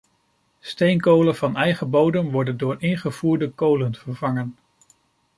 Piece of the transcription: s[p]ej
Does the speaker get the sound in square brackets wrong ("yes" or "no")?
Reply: yes